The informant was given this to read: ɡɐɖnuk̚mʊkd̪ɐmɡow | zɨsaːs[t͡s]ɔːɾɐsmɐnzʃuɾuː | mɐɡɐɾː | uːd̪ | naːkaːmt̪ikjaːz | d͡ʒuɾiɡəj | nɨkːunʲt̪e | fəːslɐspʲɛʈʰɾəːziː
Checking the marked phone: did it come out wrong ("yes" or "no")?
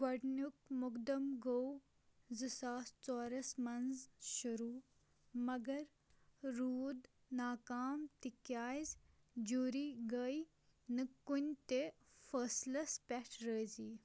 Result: no